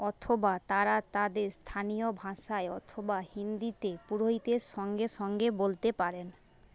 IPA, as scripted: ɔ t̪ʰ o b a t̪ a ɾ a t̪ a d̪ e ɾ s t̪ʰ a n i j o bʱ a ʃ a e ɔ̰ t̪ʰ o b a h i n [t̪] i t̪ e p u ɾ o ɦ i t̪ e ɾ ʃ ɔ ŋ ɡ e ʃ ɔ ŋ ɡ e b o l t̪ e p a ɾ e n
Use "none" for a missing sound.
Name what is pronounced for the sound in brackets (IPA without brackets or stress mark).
d̪